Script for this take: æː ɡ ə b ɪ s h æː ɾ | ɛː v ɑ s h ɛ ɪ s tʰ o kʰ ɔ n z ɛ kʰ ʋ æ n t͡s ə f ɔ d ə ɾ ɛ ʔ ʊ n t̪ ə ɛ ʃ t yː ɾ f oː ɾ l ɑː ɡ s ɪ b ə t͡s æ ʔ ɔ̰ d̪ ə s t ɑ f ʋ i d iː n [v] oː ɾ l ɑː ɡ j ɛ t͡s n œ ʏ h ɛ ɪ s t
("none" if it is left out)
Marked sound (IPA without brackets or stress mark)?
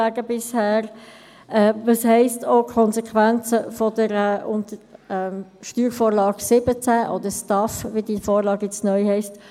f